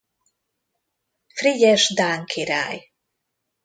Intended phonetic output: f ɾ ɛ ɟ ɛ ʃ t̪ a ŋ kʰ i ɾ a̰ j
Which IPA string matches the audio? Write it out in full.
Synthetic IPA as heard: f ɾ i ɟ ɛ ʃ d̪ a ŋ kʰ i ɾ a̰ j

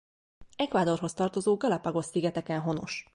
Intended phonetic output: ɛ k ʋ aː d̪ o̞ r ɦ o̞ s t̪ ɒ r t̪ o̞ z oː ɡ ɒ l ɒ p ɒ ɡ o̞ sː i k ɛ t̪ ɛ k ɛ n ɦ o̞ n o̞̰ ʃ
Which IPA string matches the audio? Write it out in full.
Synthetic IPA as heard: ɛ k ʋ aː d̪ o̞ r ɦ o̞ s t̪ ɒ r t̪ o̞ z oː ɡ ɒ l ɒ p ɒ ɡ o̞ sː i ɡ ɛ t̪ ɛ k ɛ n ɦ o̞ n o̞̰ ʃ

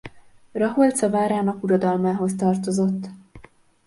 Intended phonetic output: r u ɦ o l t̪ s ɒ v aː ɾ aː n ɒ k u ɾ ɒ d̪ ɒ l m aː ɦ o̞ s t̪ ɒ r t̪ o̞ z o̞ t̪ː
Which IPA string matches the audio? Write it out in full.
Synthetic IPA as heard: r ɒ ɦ o l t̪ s ɒ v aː ɾ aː n ɒ k u ɾ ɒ d̪ ɒ l m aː ɦ o̞ s t̪ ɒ r t̪ o̞ z o̞ t̪ː

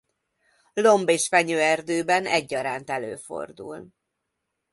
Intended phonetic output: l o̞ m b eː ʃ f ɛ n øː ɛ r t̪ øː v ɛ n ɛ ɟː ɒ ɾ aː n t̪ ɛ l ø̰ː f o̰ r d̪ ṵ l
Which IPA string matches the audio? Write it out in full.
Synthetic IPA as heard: l o̞ m b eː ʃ f ɛ ɲ øː ɛ r d̪ øː b ɛ n ɛ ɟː ɒ ɾ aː n t̪ ɛ l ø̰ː f o̰ r d̪ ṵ l

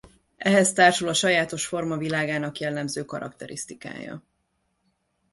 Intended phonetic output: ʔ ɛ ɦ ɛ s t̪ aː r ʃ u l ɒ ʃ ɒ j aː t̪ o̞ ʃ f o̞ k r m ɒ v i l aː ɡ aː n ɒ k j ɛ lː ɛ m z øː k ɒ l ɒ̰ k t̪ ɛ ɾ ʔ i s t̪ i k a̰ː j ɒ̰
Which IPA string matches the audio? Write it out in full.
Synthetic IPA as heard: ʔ ɛ ɦ ɛ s t̪ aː r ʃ u l ɒ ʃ ɒ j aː t̪ o̞ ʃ f o̞ r m ɒ v i l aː ɡ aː n ɒ k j ɛ lː ɛ m z øː k ɒ ɾ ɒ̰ k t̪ ɛ ɾ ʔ i s t̪ i k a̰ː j ɒ̰

